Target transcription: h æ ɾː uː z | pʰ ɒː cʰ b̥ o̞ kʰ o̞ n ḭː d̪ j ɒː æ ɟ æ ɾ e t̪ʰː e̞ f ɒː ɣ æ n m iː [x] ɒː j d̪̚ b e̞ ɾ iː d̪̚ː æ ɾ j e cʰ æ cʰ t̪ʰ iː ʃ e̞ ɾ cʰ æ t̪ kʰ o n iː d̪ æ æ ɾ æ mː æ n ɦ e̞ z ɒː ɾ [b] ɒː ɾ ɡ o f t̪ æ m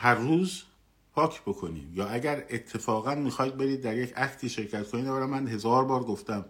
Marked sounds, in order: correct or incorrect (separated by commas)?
correct, correct